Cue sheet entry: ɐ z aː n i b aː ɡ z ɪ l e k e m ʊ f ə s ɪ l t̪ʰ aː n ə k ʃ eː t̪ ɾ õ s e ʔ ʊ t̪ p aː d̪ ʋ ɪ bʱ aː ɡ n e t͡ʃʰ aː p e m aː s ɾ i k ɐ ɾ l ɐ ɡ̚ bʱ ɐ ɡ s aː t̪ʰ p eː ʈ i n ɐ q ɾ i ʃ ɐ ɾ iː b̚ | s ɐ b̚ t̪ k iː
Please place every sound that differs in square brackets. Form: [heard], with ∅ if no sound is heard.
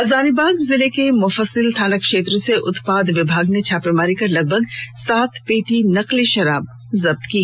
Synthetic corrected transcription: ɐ z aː n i b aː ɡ z ɪ l e k e m ʊ f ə s ɪ l t̪ʰ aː n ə k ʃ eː t̪ ɾ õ s e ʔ ʊ t̪ p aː d̪ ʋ ɪ bʱ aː ɡ n e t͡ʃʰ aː p e m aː [∅] ɾ i k ɐ ɾ l ɐ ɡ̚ bʱ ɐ ɡ s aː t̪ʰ p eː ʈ i n ɐ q [l] i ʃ ɐ ɾ [aː] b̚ | [z] ɐ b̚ t̪ k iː